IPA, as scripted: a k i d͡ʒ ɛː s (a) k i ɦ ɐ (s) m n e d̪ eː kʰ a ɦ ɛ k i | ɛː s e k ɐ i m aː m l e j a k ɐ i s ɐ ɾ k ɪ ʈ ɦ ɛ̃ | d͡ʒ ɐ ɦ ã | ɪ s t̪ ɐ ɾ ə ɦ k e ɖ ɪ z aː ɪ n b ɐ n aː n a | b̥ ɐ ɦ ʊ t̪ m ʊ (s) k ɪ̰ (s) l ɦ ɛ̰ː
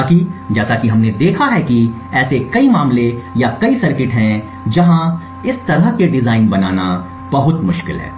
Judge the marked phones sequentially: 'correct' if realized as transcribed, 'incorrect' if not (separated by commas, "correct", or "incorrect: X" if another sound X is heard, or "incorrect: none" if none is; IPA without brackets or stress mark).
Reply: correct, incorrect: none, incorrect: ʃ, incorrect: none